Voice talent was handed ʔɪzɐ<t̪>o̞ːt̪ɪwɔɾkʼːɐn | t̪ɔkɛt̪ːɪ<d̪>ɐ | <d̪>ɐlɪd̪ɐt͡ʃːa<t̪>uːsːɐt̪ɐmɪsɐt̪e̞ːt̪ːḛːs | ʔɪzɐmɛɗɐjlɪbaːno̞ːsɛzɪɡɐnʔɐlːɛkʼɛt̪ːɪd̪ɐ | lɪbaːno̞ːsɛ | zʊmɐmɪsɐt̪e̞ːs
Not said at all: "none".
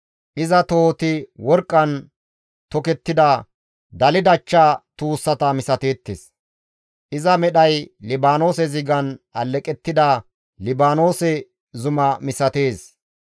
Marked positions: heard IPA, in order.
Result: t̪, d̪, d̪, t̪

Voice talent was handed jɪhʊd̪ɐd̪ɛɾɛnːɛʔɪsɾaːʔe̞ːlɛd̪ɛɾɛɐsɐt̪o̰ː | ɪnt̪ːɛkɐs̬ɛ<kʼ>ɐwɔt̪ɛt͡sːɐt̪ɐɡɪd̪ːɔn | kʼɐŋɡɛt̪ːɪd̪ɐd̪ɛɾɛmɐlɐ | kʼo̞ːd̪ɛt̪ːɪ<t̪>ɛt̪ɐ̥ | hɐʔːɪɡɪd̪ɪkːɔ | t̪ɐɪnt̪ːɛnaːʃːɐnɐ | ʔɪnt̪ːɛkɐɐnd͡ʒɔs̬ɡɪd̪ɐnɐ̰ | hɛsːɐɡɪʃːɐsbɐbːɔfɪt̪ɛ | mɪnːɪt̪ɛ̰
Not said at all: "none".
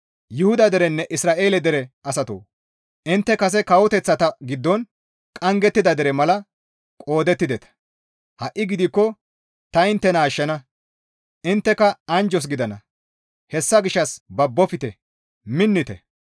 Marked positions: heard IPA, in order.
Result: k, d̪

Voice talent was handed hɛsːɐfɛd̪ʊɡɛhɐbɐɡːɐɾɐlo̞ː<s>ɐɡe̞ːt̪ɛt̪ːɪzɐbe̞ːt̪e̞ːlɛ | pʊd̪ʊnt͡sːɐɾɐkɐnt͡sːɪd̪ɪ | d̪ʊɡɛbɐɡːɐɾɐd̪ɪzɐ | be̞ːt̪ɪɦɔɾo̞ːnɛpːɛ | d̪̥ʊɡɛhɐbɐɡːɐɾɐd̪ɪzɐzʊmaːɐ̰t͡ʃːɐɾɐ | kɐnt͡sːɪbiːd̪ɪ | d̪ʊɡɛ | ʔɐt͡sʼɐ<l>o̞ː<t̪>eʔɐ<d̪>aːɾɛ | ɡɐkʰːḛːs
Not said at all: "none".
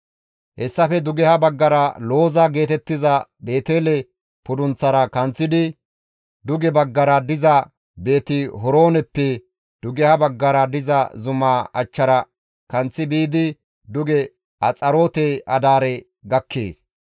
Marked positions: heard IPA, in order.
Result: z, ɾ, t̪, d̪

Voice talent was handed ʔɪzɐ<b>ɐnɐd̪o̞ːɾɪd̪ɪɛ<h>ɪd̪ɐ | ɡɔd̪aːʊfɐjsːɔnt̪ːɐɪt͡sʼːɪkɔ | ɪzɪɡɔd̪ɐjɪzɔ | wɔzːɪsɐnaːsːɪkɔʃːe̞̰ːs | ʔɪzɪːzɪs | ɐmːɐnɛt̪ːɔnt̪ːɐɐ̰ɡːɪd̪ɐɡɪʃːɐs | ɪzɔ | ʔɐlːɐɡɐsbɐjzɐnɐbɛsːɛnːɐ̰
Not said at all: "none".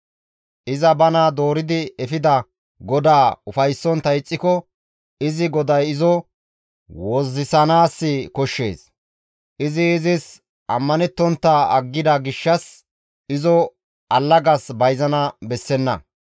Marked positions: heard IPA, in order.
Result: b, f

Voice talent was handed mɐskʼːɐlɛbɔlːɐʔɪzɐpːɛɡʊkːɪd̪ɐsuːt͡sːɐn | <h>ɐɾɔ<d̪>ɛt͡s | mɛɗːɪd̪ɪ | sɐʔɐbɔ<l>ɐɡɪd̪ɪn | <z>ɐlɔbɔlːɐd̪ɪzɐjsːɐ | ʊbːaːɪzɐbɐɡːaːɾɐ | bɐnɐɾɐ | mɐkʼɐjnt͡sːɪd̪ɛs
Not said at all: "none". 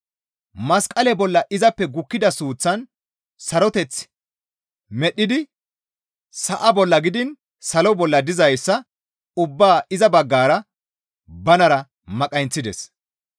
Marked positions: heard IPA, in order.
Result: s, t̪, lː, s

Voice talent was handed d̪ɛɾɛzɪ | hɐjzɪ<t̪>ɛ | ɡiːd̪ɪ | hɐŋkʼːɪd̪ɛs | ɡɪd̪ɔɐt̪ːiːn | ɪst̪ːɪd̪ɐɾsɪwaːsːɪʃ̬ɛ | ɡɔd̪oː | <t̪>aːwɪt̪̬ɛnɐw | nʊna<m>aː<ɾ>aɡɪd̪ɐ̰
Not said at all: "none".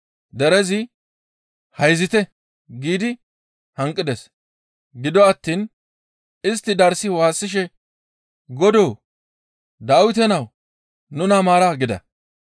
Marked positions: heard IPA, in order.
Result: t̪, d̪, m, ɾ

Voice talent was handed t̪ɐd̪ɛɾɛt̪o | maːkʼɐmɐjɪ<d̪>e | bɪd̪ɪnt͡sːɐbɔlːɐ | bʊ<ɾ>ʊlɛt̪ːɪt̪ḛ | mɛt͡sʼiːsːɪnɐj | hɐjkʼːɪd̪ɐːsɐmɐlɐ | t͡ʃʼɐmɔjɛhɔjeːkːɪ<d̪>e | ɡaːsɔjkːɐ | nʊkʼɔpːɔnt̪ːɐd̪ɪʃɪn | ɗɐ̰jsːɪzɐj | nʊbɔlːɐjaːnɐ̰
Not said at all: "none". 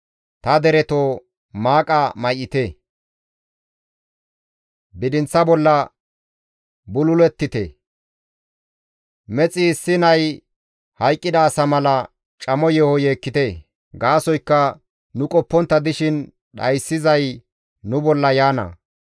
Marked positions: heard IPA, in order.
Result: t̪, l, t̪

